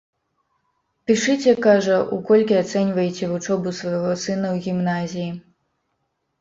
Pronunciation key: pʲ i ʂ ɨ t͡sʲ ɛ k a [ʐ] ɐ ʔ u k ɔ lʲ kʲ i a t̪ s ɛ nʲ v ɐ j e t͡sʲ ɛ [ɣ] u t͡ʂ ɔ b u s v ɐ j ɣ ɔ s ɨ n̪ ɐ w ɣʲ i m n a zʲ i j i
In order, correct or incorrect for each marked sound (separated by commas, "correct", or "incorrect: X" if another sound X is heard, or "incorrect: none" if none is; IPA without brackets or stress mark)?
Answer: correct, incorrect: v